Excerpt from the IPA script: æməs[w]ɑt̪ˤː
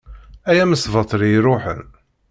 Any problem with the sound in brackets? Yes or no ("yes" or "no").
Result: yes